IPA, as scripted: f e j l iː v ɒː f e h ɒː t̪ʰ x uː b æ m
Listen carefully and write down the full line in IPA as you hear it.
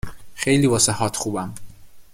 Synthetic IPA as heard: x e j l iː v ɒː s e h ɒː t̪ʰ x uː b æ m